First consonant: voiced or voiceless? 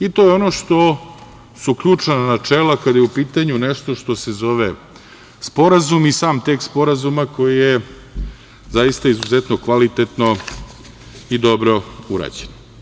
voiceless